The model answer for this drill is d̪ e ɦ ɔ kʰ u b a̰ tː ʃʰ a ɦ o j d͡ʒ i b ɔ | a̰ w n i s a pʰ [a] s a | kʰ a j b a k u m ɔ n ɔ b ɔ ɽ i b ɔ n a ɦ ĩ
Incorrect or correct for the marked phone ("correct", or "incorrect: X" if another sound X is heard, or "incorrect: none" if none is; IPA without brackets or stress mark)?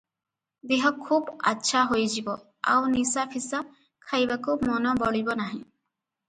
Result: incorrect: i